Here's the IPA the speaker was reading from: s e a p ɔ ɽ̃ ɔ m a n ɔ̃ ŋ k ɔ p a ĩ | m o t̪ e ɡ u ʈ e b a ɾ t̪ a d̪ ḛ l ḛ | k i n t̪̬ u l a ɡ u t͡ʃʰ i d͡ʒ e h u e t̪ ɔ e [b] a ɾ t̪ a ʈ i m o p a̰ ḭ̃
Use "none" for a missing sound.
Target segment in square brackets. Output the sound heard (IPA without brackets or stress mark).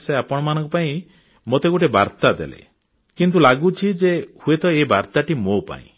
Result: b